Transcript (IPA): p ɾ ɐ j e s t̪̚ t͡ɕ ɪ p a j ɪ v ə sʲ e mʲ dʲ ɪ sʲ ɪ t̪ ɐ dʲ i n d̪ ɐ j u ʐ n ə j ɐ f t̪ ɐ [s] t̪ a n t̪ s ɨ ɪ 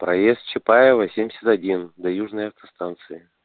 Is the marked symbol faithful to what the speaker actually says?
yes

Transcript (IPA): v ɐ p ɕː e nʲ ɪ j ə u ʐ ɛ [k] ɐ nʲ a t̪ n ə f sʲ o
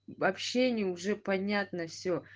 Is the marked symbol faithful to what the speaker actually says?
no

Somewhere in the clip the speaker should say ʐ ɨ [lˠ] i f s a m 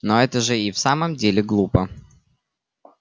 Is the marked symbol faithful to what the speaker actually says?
no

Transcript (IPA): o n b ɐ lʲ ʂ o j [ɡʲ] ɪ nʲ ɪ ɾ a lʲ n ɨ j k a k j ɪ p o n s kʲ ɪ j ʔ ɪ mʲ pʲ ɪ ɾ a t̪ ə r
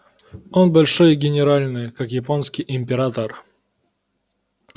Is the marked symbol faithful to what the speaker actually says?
yes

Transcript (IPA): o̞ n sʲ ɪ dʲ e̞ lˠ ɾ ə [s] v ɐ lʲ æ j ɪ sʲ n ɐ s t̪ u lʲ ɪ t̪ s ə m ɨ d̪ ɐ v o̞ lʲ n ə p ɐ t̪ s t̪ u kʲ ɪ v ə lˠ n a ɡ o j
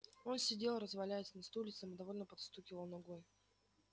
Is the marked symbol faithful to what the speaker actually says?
no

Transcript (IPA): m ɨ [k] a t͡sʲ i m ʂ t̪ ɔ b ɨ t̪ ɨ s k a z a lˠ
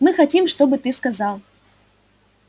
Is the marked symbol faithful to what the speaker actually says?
no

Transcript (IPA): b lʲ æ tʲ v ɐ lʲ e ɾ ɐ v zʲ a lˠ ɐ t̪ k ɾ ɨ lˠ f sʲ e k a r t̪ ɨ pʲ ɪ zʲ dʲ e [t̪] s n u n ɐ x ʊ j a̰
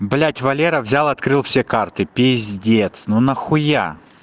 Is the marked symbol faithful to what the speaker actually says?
yes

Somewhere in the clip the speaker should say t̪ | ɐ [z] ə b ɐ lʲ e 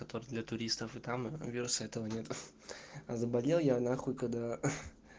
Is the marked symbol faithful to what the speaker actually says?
yes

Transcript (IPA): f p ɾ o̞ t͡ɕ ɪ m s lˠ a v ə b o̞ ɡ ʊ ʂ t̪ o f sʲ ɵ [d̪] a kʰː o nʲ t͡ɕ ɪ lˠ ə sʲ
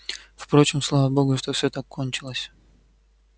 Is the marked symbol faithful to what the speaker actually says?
no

